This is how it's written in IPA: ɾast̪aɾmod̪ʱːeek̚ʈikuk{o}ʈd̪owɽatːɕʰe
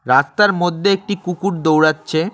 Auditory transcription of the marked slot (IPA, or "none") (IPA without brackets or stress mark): u